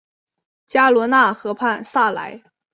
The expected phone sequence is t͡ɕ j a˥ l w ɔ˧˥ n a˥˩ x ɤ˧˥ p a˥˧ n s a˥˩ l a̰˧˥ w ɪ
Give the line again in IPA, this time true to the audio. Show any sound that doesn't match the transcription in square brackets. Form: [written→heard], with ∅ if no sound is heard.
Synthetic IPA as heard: t͡ɕ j a˥ l w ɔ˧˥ n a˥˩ x ɤ˧˥ [p→pʰ] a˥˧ n s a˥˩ l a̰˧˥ [w→∅] ɪ